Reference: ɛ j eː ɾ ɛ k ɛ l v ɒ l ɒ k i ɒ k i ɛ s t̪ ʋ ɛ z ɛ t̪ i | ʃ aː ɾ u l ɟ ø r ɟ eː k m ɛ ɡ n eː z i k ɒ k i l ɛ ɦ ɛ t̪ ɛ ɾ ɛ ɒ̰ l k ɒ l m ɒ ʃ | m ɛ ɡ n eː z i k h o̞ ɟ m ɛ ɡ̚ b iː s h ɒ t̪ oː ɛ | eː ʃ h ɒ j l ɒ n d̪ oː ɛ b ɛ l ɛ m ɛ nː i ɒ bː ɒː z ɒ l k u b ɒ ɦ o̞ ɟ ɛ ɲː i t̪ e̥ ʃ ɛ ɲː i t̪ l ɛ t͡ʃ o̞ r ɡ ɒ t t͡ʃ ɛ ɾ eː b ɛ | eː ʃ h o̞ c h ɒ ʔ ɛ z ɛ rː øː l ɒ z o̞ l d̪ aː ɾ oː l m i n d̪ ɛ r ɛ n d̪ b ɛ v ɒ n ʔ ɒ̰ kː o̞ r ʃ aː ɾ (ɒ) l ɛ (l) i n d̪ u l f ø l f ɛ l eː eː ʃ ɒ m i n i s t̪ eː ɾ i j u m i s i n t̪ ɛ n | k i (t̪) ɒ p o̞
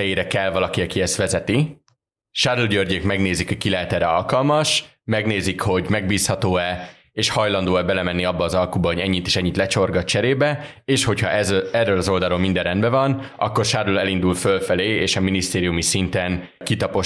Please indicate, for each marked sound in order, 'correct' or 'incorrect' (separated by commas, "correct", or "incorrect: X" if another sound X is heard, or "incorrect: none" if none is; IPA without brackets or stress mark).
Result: incorrect: u, correct, correct